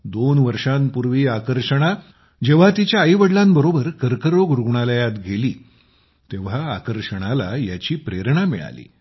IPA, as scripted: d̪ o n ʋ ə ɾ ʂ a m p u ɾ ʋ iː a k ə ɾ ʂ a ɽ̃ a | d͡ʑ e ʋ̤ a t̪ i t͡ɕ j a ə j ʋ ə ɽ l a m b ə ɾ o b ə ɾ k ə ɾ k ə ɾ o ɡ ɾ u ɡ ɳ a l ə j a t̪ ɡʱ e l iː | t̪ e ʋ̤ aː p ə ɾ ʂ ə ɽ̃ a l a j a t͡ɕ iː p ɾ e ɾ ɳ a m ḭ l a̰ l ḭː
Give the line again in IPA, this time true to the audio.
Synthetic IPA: d̪ o n ʋ ə ɾ ʂ a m p u ɾ ʋ iː a k ə ɾ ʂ ə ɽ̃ a | d͡ʑ e ʋ̤ a t̪ i t͡ɕ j a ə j ʋ ə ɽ l a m b ə ɾ o b ə ɾ k ə ɾ k ə ɾ o ɡ ɾ u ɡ ɳ a l ə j a t̪ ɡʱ e l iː | t̪ e ʋ̤ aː k ə ɾ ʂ ə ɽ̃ a l a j a t͡ɕ iː p ɾ e ɾ ɳ a m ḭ ɭ a̰ l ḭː